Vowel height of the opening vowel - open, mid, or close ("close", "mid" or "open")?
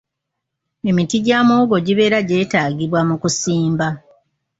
mid